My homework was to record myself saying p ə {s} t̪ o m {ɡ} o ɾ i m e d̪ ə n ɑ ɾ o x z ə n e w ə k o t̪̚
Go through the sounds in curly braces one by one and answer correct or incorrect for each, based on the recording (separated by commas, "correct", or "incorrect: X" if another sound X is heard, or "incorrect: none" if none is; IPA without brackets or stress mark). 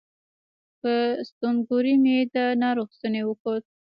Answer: correct, correct